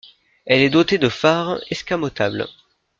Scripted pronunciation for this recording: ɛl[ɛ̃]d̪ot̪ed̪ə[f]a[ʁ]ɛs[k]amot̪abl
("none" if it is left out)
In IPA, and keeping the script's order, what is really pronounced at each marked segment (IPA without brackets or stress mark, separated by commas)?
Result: ɛ, f, ʁ, k